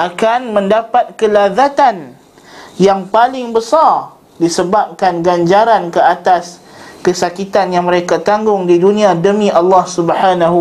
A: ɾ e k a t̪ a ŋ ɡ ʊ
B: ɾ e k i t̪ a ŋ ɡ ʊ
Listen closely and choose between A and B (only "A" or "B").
A